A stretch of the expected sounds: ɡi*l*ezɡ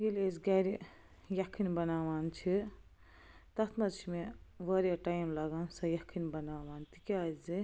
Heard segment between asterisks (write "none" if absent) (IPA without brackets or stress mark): l